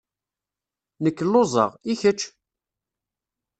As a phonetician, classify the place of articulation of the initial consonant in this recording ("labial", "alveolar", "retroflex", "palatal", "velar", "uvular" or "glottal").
alveolar